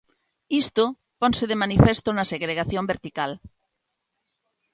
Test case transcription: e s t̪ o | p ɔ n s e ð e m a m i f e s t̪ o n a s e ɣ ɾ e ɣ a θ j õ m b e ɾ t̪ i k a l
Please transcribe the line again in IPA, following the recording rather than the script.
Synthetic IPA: i s t̪ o | p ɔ n s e ð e m a n i f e s t̪ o n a s e ɣ ɾ e ɣ a θ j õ m b e ɾ t̪ i k a l